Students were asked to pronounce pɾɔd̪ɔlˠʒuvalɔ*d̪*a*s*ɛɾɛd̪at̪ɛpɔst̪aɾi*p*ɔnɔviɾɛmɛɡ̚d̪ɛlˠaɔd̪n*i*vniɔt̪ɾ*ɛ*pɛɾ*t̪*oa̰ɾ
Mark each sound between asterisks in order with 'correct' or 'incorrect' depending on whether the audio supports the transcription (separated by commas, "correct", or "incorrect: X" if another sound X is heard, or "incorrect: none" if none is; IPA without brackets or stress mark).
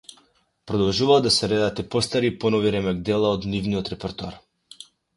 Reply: correct, correct, correct, correct, correct, correct